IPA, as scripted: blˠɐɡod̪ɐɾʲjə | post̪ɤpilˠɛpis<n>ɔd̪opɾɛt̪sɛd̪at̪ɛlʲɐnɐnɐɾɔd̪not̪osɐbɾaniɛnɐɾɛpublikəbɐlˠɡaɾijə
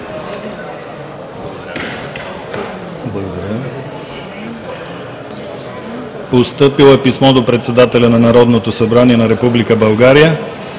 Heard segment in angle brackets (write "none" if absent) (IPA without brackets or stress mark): m